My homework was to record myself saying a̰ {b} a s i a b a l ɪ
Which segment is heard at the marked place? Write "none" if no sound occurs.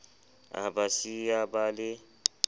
b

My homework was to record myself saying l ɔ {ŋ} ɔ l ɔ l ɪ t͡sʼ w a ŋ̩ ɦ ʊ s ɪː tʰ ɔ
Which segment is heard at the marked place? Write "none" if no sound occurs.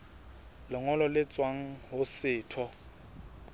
ŋ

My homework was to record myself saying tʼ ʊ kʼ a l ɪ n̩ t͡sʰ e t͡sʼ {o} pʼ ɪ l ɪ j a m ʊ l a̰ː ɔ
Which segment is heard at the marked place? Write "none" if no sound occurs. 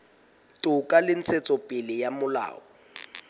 ɔ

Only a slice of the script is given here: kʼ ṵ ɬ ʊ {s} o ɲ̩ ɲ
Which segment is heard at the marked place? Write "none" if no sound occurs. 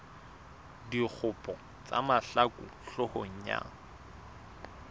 h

